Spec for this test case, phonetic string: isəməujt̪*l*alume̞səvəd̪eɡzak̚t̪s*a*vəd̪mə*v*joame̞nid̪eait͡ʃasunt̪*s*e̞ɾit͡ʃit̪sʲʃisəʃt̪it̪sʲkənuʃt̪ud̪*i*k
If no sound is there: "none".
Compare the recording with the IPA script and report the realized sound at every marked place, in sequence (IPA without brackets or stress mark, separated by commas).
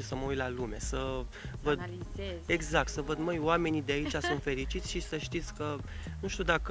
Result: l, ə, none, f, a